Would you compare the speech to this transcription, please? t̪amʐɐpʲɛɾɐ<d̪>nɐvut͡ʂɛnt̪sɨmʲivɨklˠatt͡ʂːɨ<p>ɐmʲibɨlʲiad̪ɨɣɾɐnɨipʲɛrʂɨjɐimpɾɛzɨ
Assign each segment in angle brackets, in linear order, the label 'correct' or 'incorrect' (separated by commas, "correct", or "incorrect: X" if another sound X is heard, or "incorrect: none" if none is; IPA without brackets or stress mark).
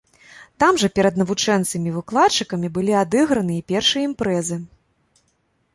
correct, incorrect: k